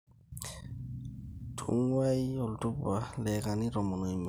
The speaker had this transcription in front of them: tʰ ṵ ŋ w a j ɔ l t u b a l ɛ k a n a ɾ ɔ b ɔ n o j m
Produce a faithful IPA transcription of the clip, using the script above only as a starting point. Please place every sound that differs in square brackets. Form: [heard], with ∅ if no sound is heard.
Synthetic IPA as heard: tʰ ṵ ŋ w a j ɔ l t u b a l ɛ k a n [i] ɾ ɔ [m] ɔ n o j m